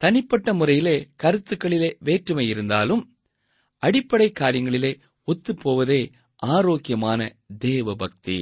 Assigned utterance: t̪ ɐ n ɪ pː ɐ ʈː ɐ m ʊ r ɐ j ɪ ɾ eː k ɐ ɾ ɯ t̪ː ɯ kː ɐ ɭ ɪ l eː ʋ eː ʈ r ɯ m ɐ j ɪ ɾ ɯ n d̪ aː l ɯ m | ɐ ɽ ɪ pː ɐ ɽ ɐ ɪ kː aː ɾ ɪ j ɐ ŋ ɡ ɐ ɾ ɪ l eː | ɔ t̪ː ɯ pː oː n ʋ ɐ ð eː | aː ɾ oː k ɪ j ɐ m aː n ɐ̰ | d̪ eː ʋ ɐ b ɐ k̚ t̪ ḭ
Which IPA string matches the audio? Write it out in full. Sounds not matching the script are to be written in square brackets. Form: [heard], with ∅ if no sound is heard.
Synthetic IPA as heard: t̪ ɐ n ɪ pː ɐ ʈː ɐ m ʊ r ɐ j ɪ [l] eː k ɐ ɾ ɯ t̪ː ɯ kː ɐ ɭ ɪ l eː ʋ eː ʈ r ɯ m ɐ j ɪ ɾ ɯ n d̪ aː l ɯ m | ɐ ɽ ɪ pː ɐ ɽ ɐ ɪ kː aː ɾ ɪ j ɐ ŋ ɡ ɐ [ɭ] ɪ l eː | ɔ t̪ː ɯ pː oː [∅] ʋ ɐ ð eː | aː ɾ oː k ɪ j ɐ m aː n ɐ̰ | d̪ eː ʋ ɐ b ɐ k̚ t̪ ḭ